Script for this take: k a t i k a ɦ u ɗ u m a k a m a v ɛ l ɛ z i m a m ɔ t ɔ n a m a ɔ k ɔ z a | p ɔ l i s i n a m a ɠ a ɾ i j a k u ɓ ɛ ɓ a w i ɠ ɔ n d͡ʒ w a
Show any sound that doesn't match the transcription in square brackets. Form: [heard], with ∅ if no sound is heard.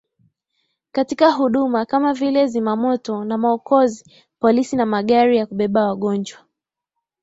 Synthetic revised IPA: k a t i k a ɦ u ɗ u m a k a m a v [i] l ɛ z i m a m ɔ t ɔ n a m a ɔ k ɔ z [i] | p ɔ l i s i n a m a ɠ a ɾ i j a k u ɓ ɛ ɓ a w [a] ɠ ɔ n d͡ʒ w a